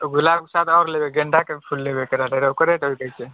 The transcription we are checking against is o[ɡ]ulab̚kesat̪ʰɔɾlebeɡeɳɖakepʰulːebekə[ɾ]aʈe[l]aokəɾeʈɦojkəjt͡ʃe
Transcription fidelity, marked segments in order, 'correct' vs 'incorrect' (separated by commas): correct, correct, incorrect